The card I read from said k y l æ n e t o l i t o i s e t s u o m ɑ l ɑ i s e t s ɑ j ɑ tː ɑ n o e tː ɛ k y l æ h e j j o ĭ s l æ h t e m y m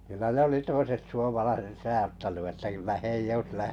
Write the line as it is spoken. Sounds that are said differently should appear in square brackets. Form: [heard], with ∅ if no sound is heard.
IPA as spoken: k y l æ n e [∅] o l i t o i s e t s u o m ɑ l ɑ i s e t s ɑ j ɑ tː ɑ n [u] e tː [æ] k y [lː] æ h e [i] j o ĭ s l æ h t e [n] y m